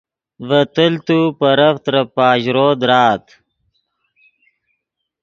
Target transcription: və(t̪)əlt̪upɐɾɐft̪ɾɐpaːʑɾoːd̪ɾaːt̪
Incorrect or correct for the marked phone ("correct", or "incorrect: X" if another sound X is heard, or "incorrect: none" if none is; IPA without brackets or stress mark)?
correct